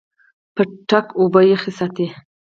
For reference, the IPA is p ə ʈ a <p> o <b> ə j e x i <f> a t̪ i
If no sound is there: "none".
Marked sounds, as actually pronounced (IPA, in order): k, b, s

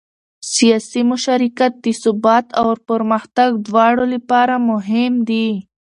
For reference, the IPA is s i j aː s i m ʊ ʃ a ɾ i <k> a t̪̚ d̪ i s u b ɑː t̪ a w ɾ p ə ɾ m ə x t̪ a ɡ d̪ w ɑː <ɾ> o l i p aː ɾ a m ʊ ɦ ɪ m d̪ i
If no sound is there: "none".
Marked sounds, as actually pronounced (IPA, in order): k, ɽ

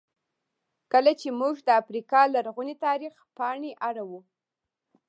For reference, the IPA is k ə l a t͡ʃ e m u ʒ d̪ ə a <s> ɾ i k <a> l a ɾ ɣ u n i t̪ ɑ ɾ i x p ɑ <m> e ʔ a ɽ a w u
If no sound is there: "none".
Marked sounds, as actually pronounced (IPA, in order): f, ɑ, ɳ

